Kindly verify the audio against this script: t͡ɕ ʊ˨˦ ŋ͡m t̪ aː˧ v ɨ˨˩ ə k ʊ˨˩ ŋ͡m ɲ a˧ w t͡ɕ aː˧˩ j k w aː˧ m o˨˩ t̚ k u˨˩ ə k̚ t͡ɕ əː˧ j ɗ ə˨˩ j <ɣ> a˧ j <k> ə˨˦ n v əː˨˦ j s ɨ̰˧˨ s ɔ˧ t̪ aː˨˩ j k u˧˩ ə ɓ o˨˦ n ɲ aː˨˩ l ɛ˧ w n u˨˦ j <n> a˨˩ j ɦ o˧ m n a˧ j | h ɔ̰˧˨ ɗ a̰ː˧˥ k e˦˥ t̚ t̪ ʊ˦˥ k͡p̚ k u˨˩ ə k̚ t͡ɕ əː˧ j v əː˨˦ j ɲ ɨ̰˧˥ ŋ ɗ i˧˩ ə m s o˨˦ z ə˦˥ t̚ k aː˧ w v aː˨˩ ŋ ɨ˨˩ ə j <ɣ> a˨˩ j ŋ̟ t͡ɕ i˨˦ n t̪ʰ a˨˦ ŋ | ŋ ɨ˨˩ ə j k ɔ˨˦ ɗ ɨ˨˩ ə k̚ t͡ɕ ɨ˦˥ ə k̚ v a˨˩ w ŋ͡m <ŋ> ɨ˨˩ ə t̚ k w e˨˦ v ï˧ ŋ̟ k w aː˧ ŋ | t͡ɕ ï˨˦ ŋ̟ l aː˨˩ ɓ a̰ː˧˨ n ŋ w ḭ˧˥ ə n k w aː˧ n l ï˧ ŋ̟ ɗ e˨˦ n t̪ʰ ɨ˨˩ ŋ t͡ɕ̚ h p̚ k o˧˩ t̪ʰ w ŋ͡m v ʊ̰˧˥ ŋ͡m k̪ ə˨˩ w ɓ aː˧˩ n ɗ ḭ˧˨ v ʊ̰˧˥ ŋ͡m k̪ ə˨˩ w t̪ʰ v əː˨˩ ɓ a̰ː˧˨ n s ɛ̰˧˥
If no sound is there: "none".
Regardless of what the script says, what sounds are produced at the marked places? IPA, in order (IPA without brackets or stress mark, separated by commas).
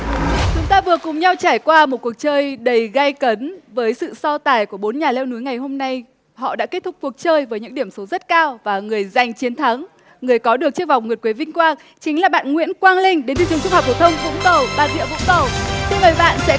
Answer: ɣ, k, ŋ, z, ŋ